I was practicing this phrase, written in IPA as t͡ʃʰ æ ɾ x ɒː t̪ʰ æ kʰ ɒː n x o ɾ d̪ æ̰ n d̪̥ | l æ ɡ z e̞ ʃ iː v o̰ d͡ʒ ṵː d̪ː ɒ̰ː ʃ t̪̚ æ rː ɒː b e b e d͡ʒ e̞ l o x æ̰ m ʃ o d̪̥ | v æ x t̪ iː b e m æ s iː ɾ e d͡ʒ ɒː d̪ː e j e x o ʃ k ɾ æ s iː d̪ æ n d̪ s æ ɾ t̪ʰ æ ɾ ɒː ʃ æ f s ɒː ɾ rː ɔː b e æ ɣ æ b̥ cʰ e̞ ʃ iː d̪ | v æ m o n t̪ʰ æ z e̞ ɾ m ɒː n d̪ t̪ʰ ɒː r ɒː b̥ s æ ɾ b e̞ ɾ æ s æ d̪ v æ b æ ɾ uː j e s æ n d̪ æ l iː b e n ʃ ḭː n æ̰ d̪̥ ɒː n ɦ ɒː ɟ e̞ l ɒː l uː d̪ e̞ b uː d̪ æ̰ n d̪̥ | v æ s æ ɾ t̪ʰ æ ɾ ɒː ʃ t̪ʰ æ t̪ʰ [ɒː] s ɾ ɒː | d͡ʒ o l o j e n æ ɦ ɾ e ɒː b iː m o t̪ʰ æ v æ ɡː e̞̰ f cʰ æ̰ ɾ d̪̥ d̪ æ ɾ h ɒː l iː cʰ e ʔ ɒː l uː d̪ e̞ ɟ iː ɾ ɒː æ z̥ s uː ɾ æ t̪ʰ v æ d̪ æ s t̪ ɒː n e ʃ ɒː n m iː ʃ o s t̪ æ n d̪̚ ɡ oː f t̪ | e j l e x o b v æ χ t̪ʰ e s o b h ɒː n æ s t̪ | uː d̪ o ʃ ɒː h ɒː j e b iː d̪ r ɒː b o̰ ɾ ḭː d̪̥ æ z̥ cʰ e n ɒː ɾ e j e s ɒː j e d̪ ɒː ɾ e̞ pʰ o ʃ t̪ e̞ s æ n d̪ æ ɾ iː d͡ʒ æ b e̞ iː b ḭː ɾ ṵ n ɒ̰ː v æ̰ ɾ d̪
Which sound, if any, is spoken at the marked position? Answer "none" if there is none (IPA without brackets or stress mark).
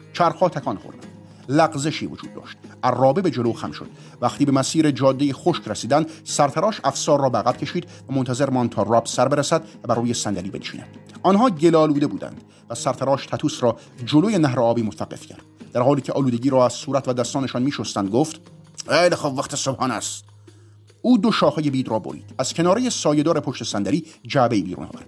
uː